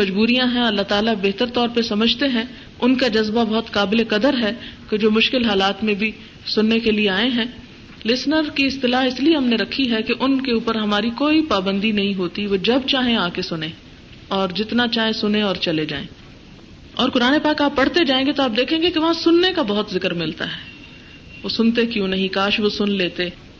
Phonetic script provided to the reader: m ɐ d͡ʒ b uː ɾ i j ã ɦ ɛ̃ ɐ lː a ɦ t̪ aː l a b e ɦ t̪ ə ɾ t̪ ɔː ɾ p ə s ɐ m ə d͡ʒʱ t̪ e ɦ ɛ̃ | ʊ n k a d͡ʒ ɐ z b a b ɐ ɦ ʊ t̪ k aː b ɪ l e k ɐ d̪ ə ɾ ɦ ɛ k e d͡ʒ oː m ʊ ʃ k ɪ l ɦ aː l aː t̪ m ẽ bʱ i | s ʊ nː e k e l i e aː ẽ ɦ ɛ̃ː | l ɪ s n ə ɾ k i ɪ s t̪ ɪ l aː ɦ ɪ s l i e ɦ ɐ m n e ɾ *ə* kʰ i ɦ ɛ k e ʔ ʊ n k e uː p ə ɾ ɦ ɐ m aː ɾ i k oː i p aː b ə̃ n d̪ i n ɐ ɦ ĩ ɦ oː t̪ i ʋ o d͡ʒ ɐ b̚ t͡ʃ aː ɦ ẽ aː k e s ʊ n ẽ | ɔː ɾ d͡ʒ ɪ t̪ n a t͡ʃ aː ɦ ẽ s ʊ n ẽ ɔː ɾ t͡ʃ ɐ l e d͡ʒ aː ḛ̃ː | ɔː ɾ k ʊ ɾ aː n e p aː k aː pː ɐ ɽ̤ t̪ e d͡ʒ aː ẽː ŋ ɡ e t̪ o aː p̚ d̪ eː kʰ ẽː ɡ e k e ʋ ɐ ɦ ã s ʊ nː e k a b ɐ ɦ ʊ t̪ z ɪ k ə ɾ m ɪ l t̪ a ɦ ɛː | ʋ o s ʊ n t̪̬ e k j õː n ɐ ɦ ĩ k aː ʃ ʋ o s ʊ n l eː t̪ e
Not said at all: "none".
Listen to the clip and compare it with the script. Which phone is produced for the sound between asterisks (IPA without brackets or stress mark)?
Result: ɐ